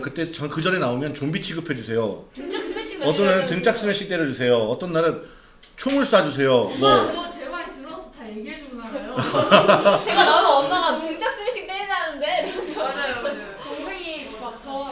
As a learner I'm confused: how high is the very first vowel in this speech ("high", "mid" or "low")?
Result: high